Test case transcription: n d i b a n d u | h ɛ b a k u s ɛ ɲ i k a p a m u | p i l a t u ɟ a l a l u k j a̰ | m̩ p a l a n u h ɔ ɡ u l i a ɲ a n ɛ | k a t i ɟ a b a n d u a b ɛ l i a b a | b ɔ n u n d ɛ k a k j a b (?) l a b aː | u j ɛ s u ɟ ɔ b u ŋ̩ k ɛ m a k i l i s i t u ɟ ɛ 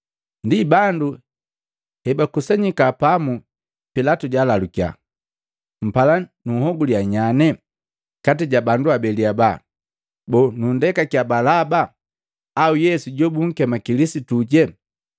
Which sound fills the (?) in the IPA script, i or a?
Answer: a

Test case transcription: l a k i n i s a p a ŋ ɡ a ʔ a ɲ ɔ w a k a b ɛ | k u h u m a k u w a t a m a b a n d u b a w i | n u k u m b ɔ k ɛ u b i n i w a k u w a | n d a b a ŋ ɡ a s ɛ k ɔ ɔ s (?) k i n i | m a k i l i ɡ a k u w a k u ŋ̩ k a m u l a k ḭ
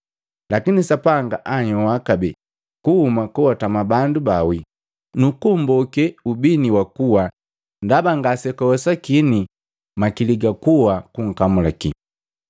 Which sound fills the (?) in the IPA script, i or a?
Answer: a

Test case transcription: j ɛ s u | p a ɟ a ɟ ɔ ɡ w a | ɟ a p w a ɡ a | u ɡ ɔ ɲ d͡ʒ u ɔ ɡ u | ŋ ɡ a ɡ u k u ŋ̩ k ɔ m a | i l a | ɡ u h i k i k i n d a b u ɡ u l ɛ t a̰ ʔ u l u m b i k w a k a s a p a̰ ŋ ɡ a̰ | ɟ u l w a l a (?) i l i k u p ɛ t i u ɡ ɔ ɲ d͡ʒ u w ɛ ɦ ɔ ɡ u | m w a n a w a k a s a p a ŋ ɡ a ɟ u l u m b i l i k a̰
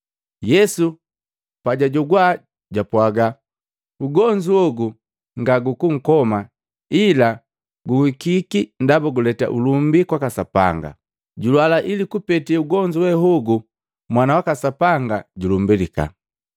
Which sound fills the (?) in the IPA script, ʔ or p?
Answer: ʔ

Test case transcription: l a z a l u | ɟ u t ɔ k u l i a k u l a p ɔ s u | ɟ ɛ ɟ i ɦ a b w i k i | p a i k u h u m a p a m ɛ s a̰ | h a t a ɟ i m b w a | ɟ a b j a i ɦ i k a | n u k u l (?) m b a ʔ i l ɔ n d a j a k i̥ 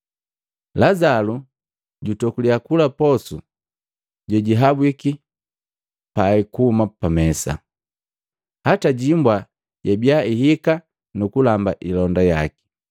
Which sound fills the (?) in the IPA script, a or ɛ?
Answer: a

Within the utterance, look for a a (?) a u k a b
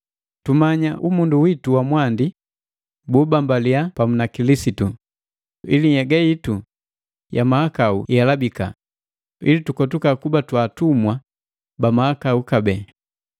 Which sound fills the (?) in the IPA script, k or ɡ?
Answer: k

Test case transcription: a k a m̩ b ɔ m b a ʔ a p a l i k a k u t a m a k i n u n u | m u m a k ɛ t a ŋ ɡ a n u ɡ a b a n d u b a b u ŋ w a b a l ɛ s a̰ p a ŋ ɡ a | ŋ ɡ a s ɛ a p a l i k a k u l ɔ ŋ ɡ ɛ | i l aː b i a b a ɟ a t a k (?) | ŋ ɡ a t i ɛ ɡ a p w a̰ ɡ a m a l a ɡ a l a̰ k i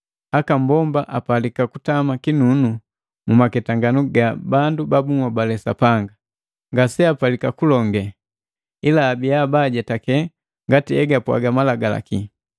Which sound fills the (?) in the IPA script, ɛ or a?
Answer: ɛ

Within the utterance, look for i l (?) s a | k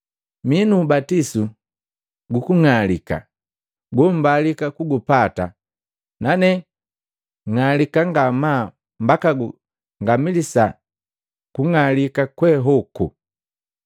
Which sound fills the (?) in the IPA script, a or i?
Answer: i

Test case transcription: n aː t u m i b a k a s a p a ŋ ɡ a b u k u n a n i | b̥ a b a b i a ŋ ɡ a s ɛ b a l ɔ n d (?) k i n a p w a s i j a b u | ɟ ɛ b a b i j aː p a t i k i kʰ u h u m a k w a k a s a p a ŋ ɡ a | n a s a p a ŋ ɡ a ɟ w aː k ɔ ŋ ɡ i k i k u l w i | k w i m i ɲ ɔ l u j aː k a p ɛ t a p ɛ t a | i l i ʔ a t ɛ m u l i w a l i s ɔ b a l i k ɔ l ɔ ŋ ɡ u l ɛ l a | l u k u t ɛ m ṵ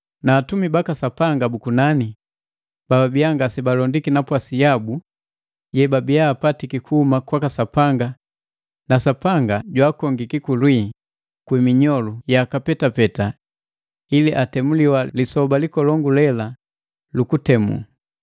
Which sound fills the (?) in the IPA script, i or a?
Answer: i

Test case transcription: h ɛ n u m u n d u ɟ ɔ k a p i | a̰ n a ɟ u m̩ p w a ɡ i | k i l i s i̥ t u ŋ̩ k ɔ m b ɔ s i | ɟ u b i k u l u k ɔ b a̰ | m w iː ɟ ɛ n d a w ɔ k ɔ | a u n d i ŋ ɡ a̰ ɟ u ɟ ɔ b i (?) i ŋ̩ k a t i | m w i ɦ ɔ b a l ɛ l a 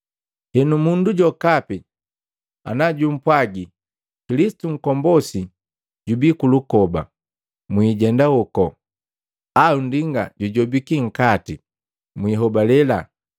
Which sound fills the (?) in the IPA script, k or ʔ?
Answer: k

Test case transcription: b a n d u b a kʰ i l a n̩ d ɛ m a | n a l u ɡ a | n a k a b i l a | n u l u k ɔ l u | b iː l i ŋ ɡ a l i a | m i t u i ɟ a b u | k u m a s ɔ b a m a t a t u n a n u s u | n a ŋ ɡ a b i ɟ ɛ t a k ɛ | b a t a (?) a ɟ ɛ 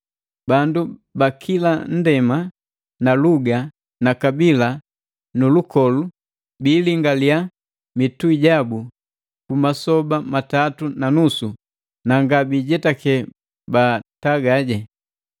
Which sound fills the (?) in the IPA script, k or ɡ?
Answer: ɡ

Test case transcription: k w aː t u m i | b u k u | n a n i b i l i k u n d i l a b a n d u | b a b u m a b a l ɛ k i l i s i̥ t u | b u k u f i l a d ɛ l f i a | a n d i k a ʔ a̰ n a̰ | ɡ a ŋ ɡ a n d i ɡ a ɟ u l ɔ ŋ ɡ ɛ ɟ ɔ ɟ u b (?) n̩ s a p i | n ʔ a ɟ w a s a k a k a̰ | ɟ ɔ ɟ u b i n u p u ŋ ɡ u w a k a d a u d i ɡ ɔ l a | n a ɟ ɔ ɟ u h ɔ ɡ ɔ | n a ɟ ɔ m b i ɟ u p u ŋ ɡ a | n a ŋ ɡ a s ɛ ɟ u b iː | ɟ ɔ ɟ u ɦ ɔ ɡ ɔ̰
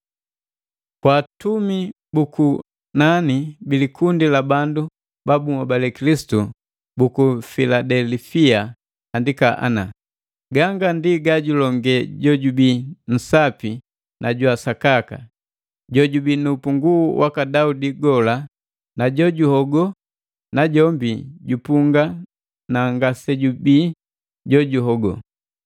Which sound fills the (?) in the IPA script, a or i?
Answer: i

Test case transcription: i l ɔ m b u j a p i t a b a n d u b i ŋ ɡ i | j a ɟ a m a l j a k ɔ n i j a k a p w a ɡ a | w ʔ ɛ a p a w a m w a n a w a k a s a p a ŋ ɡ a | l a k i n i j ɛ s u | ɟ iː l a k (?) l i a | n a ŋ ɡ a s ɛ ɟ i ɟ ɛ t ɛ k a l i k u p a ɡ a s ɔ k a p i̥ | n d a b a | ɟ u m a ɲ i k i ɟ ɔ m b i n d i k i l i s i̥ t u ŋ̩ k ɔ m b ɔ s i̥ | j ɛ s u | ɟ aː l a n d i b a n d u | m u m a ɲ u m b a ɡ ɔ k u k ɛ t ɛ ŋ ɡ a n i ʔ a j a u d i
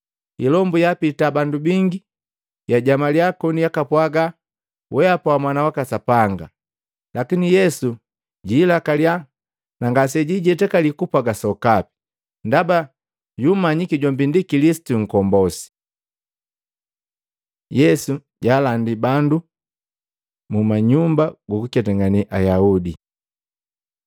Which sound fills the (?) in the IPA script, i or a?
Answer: a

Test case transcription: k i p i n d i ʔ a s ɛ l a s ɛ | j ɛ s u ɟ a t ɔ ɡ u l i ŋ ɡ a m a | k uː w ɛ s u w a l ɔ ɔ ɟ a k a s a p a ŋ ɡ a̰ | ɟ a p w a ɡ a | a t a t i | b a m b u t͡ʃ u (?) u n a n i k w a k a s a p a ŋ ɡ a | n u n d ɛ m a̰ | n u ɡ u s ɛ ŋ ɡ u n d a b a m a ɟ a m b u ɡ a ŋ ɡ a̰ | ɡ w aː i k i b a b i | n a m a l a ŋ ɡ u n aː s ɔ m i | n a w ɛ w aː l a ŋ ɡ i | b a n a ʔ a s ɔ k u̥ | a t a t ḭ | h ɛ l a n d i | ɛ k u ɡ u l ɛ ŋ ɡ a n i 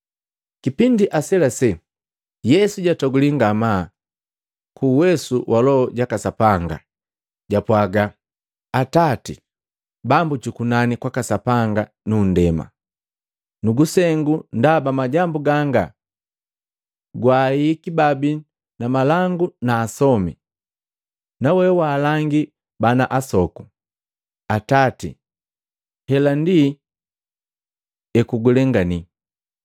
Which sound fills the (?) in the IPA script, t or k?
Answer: k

